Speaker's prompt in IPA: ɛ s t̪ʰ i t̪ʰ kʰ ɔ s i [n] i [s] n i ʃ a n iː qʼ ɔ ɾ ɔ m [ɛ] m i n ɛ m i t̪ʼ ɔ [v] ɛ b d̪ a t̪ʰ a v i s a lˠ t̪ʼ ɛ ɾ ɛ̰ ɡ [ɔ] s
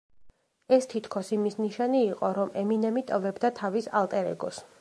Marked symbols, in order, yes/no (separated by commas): no, yes, yes, yes, yes